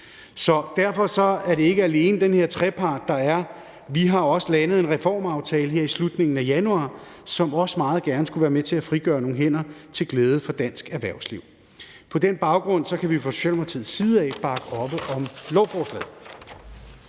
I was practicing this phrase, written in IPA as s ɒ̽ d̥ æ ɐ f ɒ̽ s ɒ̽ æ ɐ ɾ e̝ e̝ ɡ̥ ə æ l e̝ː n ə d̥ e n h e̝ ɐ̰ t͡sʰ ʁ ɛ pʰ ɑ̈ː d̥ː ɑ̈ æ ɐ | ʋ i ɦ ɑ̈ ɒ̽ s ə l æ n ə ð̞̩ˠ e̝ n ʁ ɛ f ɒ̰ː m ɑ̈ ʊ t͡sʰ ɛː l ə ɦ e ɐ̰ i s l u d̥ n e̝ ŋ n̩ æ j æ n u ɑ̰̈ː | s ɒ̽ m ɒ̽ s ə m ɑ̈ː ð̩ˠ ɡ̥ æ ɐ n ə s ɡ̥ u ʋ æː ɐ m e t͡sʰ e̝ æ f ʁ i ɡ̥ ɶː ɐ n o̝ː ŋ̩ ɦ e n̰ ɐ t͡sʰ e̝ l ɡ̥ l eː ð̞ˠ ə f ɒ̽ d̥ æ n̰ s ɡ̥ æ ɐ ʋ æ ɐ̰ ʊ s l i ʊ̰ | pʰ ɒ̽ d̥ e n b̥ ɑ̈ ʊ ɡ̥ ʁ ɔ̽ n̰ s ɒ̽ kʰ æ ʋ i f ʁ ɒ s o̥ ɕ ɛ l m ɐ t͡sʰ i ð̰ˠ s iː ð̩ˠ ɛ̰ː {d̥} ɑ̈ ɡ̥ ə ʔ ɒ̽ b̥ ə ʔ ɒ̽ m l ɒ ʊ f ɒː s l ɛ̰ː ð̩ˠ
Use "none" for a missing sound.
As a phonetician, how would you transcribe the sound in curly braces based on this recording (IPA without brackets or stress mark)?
b̥